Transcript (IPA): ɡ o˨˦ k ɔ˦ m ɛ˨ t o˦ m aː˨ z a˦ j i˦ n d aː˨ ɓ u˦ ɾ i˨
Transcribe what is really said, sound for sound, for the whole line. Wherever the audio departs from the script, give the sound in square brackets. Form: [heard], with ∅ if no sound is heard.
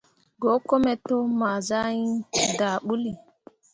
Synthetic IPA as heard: ɡ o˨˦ k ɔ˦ m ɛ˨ t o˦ m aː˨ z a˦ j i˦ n d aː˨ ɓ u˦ [l] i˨